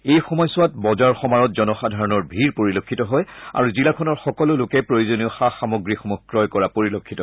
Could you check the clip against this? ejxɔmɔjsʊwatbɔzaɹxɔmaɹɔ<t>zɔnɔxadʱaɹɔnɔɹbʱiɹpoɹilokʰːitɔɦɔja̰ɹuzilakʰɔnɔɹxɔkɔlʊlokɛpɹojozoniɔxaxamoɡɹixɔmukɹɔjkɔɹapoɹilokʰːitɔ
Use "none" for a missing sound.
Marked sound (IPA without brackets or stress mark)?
t